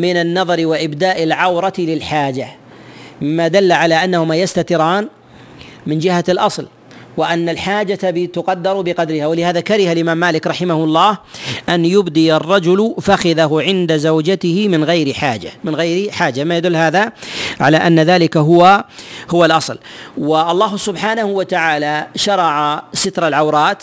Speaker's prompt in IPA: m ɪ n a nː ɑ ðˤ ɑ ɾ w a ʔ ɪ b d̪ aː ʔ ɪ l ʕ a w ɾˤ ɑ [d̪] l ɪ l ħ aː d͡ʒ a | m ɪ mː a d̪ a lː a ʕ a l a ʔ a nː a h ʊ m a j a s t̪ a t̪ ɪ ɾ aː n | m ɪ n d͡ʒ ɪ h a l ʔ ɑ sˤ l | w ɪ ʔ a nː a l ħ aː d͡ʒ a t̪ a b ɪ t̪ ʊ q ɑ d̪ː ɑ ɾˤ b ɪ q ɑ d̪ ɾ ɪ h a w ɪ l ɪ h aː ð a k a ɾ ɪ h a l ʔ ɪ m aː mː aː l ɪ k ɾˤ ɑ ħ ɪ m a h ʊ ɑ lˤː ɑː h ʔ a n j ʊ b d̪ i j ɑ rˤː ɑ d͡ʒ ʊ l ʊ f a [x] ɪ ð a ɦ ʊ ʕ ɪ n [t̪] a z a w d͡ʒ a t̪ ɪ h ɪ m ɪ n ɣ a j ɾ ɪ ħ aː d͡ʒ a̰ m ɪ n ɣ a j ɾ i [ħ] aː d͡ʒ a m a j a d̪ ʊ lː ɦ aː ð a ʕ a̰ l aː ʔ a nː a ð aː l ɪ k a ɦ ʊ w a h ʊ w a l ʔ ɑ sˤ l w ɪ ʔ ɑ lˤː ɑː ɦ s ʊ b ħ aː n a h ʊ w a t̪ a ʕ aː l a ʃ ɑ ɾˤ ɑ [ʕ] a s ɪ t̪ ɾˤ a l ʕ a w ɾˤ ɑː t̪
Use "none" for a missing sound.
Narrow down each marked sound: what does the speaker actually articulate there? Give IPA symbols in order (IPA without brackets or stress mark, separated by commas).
t̪, x, d̪, ħ, ʕ